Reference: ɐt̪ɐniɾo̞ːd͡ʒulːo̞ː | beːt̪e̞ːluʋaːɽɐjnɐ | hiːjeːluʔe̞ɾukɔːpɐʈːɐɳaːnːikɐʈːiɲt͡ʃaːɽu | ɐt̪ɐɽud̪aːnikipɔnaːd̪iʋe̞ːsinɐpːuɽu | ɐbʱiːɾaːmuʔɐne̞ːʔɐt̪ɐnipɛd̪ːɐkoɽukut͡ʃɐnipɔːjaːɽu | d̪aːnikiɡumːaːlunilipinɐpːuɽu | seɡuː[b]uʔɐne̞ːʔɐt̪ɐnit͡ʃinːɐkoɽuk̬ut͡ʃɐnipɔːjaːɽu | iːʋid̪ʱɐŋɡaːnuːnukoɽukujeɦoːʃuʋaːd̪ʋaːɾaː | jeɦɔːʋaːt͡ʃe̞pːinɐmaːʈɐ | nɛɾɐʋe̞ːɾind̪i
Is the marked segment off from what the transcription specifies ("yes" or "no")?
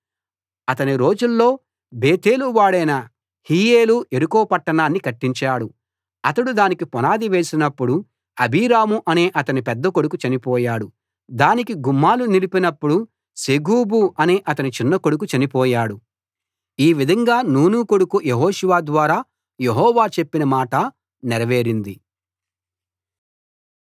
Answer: no